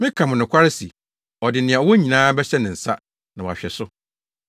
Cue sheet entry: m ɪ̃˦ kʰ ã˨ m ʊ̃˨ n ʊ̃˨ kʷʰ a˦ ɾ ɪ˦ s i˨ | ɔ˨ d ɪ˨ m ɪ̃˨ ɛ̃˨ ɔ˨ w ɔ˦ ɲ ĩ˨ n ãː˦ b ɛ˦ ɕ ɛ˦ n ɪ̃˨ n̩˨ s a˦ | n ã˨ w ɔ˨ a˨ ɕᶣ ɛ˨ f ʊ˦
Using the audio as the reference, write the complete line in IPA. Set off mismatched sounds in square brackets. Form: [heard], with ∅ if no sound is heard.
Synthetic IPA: m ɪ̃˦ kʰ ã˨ m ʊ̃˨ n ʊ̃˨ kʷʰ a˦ ɾ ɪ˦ s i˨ | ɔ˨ d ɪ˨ [n] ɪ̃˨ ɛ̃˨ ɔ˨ w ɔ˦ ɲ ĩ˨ n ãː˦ b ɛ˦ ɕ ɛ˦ n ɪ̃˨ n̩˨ s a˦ | n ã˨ w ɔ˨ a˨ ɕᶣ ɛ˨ [s] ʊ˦